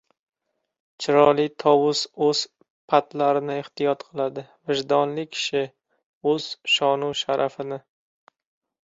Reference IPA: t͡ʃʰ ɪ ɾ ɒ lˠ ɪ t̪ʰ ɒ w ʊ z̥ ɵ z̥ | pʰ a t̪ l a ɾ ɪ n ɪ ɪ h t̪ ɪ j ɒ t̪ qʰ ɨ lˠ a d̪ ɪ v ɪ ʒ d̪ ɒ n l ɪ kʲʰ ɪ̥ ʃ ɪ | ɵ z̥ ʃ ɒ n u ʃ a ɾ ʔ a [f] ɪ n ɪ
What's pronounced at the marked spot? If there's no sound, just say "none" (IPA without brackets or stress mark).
f